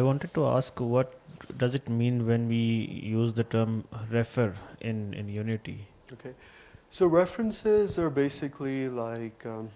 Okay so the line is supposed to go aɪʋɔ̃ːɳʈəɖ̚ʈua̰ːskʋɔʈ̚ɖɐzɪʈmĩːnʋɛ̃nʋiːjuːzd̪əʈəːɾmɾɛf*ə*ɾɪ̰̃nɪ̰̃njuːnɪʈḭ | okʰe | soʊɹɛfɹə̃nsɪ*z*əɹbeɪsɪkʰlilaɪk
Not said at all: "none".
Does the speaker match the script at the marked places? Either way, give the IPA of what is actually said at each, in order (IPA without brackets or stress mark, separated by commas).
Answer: ə, z